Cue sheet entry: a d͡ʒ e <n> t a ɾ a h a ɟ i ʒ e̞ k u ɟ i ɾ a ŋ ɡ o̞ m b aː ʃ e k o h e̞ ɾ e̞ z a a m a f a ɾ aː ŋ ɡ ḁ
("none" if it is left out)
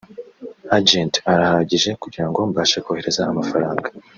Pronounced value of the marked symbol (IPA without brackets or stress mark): n